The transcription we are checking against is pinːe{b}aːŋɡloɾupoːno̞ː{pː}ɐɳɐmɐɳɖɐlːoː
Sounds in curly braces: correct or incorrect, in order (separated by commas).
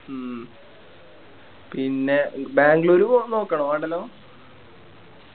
correct, incorrect